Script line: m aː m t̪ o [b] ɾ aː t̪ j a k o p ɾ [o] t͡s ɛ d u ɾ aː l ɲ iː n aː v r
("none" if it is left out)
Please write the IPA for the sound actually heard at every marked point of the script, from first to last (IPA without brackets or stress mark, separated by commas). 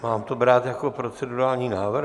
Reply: b, o